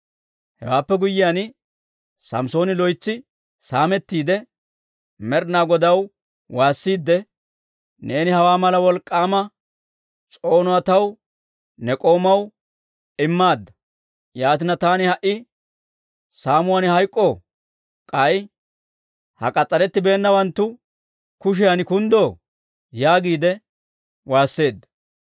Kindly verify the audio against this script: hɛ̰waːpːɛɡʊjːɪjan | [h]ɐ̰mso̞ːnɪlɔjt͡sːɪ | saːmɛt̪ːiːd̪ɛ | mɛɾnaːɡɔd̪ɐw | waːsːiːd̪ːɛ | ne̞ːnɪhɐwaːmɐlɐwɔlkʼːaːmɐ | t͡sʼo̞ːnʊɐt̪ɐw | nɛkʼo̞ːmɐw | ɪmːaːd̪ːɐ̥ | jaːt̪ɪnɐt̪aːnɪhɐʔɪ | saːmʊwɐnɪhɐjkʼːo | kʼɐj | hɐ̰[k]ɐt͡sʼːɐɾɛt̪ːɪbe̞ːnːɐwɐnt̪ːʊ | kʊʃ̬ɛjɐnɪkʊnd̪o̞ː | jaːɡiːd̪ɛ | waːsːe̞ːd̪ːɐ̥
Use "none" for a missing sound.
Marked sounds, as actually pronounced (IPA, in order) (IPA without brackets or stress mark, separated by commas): s, kʼ